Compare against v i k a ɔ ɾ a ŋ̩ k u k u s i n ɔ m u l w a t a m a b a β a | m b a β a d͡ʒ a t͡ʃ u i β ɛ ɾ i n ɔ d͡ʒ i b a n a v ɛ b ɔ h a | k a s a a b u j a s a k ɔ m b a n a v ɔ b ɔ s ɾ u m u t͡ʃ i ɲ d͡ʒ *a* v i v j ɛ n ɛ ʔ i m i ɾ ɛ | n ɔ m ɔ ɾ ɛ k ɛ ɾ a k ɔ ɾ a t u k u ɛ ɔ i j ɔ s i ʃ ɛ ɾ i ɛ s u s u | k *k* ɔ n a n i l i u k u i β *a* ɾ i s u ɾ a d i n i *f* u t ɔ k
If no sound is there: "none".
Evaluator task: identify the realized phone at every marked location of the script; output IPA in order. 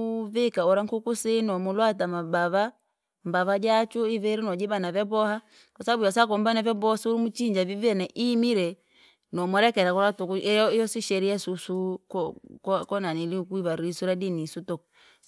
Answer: a, k, a, s

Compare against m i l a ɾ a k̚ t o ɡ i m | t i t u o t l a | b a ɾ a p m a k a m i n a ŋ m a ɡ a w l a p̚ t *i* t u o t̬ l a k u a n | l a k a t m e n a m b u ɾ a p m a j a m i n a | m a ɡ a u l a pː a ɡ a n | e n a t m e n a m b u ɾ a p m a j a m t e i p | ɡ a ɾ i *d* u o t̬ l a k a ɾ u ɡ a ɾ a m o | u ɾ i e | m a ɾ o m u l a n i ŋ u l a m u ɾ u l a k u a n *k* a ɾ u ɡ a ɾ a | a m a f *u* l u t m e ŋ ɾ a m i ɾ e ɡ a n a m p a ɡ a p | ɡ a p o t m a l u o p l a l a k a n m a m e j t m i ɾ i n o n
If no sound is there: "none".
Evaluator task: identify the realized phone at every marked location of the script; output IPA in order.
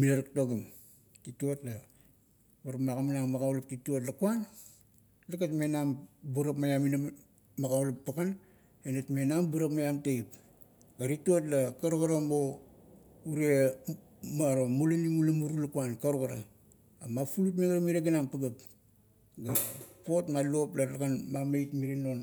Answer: i, t, k, u

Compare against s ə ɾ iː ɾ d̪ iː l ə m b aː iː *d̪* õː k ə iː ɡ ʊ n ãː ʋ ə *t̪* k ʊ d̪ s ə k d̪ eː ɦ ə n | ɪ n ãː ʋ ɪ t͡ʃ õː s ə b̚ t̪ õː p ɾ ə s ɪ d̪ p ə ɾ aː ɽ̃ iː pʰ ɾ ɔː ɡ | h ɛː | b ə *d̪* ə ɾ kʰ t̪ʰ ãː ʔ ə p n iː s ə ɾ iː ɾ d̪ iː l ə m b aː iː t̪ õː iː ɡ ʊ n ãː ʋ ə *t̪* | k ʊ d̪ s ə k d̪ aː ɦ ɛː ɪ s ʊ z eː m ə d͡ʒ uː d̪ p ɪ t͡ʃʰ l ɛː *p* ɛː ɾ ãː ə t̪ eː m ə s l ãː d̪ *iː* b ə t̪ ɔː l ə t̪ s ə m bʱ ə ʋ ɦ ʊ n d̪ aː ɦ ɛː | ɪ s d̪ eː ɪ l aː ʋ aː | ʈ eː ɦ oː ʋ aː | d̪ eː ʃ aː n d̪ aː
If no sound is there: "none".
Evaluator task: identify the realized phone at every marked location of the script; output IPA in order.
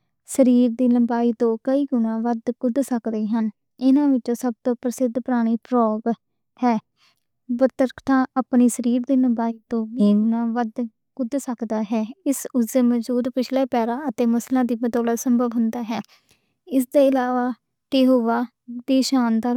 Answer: t̪, d̪, t̪, d̪, p, iː

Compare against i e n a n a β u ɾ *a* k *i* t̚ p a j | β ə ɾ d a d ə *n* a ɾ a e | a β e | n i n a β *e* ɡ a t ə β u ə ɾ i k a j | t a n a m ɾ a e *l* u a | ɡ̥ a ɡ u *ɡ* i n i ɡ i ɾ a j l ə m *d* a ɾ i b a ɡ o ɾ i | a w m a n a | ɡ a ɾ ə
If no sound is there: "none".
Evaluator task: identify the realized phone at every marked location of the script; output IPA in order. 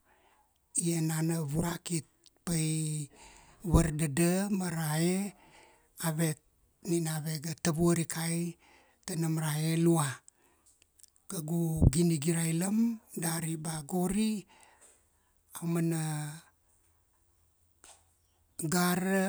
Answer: a, i, m, e, l, ɡ, d

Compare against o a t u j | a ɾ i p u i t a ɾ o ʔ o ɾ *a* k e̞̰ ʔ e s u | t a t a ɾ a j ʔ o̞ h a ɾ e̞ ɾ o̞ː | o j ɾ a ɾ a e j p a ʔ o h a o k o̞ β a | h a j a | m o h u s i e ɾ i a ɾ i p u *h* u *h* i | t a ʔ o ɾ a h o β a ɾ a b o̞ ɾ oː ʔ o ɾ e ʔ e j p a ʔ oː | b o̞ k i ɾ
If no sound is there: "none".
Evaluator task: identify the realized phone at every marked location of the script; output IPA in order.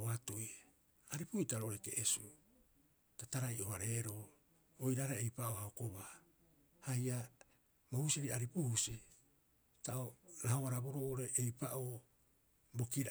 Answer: e, h, s

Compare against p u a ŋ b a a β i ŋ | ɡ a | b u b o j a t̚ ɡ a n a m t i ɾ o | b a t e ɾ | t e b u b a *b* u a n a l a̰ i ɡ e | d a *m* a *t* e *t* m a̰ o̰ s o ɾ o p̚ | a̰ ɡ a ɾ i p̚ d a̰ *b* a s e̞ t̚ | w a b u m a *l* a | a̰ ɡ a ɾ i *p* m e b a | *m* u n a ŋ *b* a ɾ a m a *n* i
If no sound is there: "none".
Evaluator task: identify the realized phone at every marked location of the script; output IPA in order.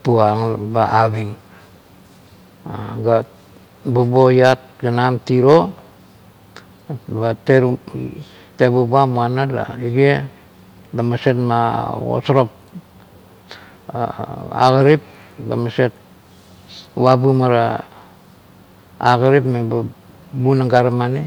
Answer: m, m, s, t, m, ɾ, p, b, ɡ, n

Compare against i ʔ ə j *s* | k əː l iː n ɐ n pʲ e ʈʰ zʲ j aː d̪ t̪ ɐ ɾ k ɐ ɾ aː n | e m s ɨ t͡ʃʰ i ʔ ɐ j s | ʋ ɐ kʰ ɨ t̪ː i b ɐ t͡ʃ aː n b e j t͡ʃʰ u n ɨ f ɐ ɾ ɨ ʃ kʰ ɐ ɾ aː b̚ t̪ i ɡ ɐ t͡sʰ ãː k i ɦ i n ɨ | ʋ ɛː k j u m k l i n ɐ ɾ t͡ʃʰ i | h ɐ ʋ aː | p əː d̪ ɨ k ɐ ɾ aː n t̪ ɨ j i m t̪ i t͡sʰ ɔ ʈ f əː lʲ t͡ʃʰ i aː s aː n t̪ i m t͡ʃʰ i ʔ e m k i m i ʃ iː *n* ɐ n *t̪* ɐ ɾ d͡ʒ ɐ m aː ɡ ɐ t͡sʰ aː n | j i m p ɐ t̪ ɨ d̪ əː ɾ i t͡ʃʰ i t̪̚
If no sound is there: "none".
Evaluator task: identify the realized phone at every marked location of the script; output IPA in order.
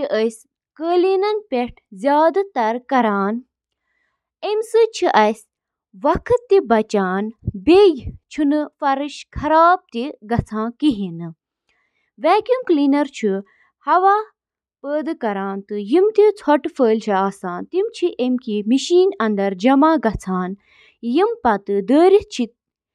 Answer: s, n, d̪

